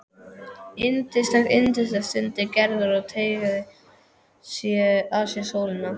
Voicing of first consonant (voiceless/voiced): voiced